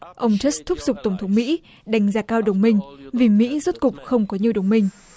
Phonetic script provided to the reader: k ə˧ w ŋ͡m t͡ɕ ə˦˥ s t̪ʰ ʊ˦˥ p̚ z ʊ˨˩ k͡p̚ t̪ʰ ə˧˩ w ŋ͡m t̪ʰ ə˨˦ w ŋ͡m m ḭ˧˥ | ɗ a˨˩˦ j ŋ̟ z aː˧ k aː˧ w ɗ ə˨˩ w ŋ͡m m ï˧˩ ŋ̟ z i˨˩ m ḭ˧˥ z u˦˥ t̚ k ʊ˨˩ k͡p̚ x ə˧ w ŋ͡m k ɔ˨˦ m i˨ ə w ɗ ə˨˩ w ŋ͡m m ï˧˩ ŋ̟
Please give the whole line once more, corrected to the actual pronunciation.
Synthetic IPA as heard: ʔ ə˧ w ŋ͡m t͡ɕ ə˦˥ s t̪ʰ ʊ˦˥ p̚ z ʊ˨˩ k͡p̚ t̪ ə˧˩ w ŋ͡m t̪ʰ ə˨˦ w ŋ͡m m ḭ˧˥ | ɗ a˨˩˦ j ŋ̟ z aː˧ k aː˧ w ɗ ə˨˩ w ŋ͡m m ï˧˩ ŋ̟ v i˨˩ m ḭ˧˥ z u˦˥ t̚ k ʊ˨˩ k͡p̚ x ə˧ w ŋ͡m k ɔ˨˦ ɲ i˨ ə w ɗ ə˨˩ w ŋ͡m m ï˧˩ ŋ̟

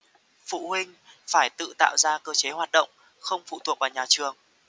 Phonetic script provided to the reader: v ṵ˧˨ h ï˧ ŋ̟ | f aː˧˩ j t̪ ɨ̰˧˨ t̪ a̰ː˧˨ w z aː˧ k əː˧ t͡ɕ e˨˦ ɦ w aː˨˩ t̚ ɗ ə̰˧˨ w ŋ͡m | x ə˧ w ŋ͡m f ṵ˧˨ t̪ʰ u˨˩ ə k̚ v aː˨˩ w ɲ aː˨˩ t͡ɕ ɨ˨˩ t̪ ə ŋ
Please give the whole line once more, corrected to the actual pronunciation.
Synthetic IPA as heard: f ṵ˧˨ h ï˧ ŋ̟ | f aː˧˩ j t̪ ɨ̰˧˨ t̪ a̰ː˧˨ w z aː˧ k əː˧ t͡ɕ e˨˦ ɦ w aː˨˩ t̚ ɗ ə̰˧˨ w ŋ͡m | x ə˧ w ŋ͡m f ṵ˧˨ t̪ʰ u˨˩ ə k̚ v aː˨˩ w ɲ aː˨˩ t͡ɕ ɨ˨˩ ə ŋ

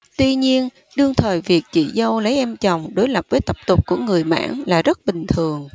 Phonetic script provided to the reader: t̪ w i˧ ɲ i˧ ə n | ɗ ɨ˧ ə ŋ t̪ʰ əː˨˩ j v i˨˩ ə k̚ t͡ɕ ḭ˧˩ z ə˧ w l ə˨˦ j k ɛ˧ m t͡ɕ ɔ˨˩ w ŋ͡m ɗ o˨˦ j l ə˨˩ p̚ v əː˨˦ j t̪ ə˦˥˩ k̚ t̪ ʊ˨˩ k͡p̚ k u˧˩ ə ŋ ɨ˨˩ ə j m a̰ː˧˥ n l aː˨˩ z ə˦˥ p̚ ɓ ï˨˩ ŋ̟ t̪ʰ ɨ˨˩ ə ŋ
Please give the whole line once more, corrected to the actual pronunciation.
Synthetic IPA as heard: t̪ w i˧ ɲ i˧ ə n | ɗ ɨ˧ ə ŋ t̪ʰ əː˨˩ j v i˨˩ ə k̚ t͡ɕ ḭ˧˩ z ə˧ w l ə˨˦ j ʔ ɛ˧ m t͡ɕ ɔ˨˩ w ŋ͡m ɗ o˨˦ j l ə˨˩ p̚ v əː˨˦ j t̪ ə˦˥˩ p̚ t̪ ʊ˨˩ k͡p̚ k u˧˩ ə ŋ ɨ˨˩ ə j m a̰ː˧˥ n l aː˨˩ z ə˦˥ t̚ ɓ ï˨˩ ŋ̟ t̪ʰ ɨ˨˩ ə ŋ

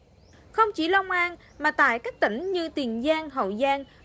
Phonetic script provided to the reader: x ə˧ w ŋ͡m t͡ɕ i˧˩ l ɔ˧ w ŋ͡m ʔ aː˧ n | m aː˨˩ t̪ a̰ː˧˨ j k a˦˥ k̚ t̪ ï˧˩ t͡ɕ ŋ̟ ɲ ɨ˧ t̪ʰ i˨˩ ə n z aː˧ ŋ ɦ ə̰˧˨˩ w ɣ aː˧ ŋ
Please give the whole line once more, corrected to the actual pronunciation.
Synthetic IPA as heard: x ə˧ w ŋ͡m t͡ɕ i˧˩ l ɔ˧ w ŋ͡m ʔ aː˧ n | m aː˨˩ t̪ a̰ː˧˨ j k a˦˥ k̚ t̪ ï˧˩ ŋ̟ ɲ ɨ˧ t̪ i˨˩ ə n z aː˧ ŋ ɦ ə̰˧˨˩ w z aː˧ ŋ

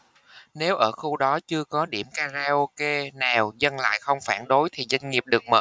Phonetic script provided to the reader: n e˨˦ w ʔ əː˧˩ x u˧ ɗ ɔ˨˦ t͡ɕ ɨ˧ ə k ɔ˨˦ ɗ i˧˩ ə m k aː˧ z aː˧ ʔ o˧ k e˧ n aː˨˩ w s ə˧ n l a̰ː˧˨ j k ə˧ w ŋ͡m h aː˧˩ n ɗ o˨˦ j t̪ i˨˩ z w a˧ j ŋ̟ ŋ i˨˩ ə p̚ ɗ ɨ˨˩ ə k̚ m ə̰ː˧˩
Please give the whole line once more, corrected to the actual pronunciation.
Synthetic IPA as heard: n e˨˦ w ʔ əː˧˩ x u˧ ɗ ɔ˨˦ t͡ɕ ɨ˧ ə k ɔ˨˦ ɗ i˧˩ ə m k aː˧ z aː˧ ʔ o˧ k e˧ n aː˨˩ w z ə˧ n l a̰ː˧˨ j x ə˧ w ŋ͡m f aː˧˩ n ɗ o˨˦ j t̪ʰ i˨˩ z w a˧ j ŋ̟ ŋ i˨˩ ə p̚ ɗ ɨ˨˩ ə k̚ m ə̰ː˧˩

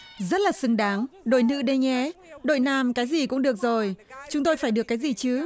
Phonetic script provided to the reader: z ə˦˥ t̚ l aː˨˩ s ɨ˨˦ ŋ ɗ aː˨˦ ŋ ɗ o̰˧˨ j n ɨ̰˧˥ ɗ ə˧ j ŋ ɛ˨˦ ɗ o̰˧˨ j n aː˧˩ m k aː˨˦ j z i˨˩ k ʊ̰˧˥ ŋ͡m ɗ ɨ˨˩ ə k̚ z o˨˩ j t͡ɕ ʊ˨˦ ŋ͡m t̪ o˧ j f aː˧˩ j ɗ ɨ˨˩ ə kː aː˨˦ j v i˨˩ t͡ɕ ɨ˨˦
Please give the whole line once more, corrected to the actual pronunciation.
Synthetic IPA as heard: z ə˦˥ t̚ l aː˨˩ s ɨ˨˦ ŋ ɗ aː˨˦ ŋ ɗ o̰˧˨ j n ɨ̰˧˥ ɗ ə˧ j ŋ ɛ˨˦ ɗ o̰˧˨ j n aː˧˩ m k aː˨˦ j z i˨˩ k ʊ̰˧˥ ŋ͡m ɗ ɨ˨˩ ə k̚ z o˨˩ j t͡ɕ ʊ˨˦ ŋ͡m t̪ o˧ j f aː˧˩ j ɗ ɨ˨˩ ə kː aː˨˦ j z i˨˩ t͡ɕ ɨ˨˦

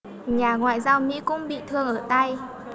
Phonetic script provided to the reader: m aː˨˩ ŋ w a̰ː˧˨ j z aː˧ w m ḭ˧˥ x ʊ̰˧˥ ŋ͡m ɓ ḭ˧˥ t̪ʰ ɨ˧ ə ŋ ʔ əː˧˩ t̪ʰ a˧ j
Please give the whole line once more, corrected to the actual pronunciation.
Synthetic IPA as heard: ɲ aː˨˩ ŋ w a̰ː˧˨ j z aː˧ w m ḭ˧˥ k ʊ̰˧˥ ŋ͡m ɓ ḭ˧˨ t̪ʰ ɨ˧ ə ŋ ʔ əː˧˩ t̪ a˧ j

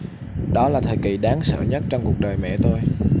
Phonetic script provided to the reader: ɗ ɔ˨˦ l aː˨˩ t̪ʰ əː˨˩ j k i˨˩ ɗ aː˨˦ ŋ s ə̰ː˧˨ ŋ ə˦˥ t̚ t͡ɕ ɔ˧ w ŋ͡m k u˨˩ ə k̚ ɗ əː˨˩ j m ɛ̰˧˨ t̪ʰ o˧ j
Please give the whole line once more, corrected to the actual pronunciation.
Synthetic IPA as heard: ɗ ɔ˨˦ l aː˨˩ t̪ʰ əː˨˩ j k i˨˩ ɗ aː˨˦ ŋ s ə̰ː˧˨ ɲ ə˦˥ t̚ t͡ɕ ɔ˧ w ŋ͡m k u˨˩ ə k̚ ɗ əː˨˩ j m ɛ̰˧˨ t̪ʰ o˧ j

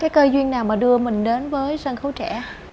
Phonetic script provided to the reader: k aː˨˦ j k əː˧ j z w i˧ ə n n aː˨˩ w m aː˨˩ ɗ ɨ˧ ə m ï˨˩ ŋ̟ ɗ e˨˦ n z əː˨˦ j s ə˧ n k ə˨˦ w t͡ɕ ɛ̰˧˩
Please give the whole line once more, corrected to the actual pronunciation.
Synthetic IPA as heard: k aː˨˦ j k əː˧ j z w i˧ ə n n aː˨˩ w m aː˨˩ ɗ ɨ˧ ə m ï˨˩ ŋ̟ ɗ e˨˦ n v əː˨˦ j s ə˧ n x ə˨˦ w t͡ɕ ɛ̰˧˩

